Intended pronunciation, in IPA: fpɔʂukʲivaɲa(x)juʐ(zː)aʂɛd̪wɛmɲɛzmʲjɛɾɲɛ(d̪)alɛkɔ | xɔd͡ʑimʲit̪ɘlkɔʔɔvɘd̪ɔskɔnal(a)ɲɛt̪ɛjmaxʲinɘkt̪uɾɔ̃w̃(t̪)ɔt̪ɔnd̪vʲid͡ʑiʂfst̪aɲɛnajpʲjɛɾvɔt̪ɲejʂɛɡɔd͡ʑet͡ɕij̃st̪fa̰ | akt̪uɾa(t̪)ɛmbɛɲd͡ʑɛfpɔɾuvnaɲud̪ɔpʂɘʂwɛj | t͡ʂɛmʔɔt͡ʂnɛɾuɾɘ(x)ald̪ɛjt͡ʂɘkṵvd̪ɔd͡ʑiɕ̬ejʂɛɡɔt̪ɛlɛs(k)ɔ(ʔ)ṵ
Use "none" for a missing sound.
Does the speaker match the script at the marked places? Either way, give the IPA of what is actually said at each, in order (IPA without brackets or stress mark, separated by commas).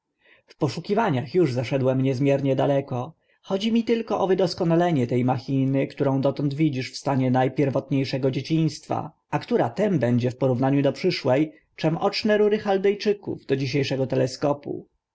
x, z, d̪, ɛ, d̪, t̪, x, k, p